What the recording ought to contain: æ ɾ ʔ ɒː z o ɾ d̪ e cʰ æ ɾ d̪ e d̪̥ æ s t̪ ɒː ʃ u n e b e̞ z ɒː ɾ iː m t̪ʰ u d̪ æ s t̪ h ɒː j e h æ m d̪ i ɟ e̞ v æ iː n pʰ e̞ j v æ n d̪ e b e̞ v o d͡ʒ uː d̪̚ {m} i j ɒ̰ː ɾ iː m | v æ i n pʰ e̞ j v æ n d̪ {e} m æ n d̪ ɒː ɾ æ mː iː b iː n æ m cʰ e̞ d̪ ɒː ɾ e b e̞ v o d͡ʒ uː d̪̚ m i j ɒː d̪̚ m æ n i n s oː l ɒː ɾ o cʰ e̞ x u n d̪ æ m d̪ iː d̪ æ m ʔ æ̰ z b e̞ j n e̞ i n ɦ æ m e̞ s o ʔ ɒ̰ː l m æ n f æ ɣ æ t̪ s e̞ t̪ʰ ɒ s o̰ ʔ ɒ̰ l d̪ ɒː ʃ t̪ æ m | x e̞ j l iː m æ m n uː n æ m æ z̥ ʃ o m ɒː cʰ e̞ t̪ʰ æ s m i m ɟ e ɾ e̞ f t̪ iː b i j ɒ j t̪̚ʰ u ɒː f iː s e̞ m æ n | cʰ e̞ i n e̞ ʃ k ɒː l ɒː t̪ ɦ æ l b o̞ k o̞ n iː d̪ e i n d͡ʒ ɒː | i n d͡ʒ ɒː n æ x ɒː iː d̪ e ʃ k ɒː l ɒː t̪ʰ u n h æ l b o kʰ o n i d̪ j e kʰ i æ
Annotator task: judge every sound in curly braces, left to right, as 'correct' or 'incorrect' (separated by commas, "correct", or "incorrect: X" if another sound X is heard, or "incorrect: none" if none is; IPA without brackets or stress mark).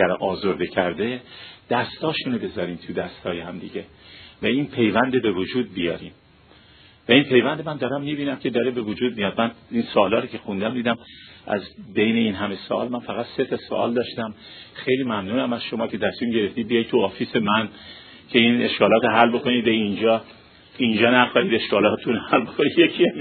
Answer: incorrect: b, correct